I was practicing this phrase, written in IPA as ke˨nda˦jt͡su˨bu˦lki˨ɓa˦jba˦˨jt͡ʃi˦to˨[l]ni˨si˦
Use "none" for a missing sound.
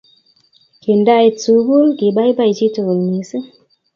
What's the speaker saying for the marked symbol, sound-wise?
l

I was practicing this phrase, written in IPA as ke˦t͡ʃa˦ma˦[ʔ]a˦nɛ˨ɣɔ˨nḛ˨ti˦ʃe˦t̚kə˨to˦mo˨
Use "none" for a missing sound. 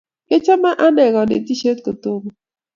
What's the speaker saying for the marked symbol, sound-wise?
ʔ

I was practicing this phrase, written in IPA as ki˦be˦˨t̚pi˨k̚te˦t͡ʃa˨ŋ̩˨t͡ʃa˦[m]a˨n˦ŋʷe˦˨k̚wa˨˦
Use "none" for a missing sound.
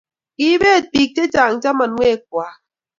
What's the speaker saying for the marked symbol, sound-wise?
m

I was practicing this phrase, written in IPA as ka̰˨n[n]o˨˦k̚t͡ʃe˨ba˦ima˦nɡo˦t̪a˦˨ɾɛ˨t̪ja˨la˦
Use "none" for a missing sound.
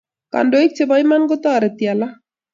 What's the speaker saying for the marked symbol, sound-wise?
d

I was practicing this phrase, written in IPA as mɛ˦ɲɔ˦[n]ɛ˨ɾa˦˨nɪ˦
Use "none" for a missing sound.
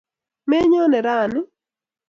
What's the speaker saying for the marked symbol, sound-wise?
n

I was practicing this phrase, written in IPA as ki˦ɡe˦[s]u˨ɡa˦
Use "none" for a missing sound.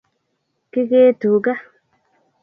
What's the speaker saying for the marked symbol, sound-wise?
t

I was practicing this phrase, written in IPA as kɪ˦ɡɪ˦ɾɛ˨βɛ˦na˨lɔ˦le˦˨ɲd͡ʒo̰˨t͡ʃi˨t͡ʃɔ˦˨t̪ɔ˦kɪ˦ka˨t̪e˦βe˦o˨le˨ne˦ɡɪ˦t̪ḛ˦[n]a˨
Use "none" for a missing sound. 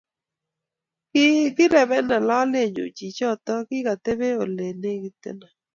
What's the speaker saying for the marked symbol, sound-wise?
n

